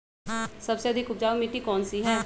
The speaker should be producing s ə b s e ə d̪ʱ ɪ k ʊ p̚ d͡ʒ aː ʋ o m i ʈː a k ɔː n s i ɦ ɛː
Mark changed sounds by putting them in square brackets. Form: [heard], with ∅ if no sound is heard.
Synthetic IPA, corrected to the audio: s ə b s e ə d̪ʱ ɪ k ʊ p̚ d͡ʒ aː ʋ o m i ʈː [i] k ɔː n s i ɦ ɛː